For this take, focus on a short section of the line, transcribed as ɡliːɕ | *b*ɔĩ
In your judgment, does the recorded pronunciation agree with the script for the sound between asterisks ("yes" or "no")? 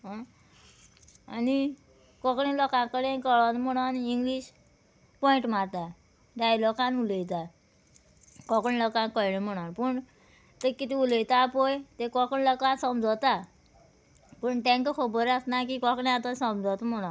no